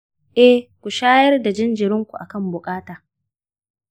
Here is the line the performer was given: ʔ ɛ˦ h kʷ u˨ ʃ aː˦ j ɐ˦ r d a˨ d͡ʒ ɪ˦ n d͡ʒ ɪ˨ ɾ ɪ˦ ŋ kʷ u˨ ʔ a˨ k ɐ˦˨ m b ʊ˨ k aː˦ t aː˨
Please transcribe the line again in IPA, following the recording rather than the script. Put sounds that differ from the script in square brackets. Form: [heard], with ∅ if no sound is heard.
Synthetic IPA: ʔ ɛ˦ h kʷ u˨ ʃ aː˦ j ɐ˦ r d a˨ d͡ʒ ɪ˦ n d͡ʒ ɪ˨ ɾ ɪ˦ ŋ kʷ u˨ ʔ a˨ k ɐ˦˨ m b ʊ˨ [kʼ] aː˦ t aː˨

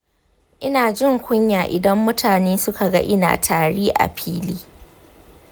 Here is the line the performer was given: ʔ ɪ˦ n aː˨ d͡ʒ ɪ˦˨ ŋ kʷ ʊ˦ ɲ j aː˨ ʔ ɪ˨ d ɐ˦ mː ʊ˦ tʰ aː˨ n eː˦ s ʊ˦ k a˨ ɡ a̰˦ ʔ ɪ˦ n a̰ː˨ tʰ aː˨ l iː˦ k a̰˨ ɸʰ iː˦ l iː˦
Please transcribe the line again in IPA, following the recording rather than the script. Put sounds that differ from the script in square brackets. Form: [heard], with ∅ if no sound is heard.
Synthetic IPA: ʔ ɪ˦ n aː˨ d͡ʒ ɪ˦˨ ŋ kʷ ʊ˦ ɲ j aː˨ ʔ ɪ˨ d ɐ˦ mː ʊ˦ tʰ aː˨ n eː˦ s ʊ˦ k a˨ ɡ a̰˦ ʔ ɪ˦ n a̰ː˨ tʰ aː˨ [ɽ] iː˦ [ʔ] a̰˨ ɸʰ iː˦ l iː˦

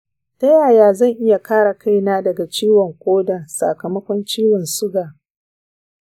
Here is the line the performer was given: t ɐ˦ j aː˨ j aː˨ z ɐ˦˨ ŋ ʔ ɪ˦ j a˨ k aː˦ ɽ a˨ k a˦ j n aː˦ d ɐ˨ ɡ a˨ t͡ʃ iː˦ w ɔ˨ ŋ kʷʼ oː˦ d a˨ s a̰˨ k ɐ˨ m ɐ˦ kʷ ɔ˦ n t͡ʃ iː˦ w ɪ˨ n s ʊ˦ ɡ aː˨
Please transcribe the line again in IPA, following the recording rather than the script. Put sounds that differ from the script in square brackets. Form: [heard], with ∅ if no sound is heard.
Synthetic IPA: t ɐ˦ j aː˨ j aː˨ z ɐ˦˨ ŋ ʔ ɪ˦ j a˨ k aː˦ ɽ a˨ k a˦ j n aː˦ d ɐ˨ ɡ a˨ t͡ʃ iː˦ w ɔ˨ ŋ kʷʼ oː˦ d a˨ s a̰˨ k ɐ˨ m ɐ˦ kʷ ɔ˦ n t͡ʃ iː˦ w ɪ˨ n s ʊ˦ ɡ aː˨

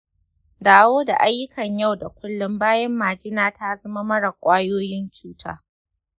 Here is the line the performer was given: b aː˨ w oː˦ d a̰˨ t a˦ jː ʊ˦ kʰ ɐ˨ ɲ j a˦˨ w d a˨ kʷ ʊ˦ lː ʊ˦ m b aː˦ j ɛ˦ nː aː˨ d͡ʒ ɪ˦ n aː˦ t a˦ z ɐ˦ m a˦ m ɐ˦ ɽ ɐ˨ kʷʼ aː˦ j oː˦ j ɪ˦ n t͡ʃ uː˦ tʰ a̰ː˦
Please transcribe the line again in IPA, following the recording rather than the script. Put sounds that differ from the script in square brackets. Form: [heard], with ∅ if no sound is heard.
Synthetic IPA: [d] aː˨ w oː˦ d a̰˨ [ʔ] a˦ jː ʊ˦ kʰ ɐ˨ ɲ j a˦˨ w d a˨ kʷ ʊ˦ lː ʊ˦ m b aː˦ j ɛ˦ [mː] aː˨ d͡ʒ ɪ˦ n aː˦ t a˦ z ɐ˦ m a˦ m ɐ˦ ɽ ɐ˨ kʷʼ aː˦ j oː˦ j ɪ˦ n t͡ʃ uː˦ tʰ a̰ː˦

